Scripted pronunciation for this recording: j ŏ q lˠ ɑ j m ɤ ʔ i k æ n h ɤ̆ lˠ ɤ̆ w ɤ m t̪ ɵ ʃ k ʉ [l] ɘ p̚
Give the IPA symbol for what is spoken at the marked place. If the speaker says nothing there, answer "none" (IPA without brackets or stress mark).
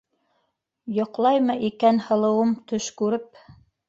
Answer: ɾ